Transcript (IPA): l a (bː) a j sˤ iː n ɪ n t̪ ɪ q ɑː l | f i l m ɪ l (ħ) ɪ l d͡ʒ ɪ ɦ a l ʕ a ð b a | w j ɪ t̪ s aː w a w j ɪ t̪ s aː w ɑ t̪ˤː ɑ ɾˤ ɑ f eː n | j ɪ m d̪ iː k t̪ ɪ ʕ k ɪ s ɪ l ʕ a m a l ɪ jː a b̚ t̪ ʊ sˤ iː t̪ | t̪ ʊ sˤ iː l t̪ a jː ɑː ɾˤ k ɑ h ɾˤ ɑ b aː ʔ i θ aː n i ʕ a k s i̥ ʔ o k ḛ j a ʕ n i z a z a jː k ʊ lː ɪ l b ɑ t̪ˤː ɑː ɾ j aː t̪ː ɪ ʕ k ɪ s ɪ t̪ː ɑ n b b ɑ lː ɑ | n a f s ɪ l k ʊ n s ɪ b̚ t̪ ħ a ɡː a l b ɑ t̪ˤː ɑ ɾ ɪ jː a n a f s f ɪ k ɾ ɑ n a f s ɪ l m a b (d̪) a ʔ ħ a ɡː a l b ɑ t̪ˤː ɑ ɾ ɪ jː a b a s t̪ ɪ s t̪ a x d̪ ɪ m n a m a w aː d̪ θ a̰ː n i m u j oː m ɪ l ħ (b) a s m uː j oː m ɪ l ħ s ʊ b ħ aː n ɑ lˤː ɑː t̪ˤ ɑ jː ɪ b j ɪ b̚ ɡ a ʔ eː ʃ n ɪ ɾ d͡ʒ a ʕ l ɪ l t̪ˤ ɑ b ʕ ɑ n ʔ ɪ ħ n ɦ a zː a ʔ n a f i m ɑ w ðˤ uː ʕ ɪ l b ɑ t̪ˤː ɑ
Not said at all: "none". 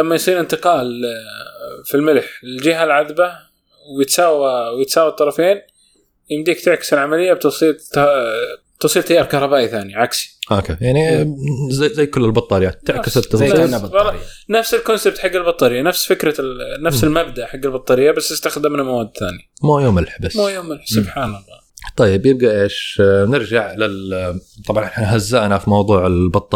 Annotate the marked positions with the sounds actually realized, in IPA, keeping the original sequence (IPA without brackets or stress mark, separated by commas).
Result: mː, ħ, d̪, b